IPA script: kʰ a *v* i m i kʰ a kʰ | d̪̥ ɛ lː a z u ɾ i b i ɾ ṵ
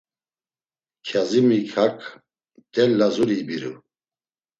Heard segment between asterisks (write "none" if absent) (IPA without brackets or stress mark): z